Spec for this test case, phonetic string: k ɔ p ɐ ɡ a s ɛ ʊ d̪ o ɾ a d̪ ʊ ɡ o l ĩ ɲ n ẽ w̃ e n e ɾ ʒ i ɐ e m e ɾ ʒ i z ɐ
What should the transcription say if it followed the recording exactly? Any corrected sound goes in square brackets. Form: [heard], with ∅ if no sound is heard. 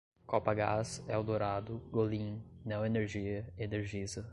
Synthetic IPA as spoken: k ɔ p ɐ ɡ a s ɛ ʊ d̪ o ɾ a d̪ ʊ ɡ o l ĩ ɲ n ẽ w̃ e n e ɾ ʒ i ɐ e [n] e ɾ ʒ i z ɐ